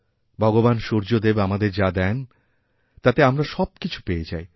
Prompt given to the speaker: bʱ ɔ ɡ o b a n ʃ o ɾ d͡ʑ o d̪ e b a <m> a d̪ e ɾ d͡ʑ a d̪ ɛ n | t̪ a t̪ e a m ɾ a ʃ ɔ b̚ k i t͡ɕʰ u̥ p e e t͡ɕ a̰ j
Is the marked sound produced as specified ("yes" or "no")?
yes